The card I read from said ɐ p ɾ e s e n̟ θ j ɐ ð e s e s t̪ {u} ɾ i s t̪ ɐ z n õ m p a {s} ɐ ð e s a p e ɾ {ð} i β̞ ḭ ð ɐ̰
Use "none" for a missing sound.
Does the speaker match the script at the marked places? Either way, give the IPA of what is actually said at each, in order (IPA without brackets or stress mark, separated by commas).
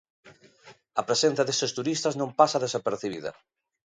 u, s, θ